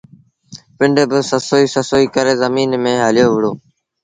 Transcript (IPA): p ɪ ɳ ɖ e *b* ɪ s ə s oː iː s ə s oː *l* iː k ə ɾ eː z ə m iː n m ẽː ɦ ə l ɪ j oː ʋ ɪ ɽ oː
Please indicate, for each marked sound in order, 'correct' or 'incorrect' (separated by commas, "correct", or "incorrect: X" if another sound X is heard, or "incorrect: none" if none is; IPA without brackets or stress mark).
correct, incorrect: none